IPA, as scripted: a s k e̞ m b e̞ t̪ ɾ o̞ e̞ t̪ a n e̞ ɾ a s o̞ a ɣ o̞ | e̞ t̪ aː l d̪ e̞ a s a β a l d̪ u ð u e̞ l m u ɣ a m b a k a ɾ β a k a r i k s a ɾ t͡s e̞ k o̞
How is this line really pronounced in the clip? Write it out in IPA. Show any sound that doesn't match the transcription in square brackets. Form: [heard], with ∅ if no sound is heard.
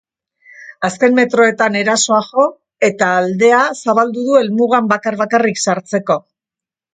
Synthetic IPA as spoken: a s k e̞ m [m] e̞ t̪ ɾ o̞ e̞ t̪ a n e̞ ɾ a s o̞ a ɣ o̞ | e̞ t̪ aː l d̪ e̞ a s a β a l d̪ u ð u e̞ l m u ɣ a m b a k a ɾ β a k a r i k s a ɾ t͡s e̞ k o̞